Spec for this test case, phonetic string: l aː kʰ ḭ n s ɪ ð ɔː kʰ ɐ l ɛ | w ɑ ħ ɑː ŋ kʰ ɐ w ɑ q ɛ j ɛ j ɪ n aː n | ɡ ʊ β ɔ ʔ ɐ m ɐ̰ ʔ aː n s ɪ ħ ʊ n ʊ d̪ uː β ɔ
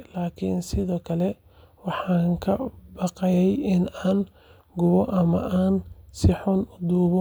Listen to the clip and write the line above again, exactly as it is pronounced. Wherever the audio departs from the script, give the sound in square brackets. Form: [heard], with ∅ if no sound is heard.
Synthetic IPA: l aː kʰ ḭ n s ɪ ð ɔː kʰ ɐ l ɛ | w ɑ ħ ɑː ŋ kʰ ɐ [b] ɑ q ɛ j ɛ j ɪ n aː n | ɡ ʊ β ɔ ʔ ɐ m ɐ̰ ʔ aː n s ɪ ħ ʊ n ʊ d̪ uː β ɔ